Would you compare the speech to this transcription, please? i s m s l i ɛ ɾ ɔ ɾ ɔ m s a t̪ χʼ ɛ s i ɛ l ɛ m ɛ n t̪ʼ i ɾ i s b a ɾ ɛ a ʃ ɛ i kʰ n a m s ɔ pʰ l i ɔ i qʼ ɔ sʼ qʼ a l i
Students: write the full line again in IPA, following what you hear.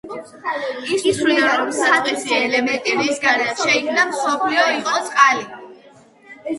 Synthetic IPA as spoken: i s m s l i a ɾ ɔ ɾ ɔ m s a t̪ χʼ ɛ s i ɛ l ɛ m ɛ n t̪ʼ i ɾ i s ɡ a ɾ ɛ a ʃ ɛ i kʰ n a m s ɔ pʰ l i ɔ i qʼ ɔ sʼ qʼ a l i